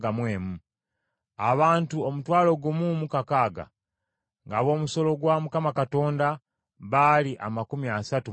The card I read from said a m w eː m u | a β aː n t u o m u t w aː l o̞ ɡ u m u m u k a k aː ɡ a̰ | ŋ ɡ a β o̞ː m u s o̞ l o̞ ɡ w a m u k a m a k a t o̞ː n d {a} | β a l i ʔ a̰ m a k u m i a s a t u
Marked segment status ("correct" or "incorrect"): correct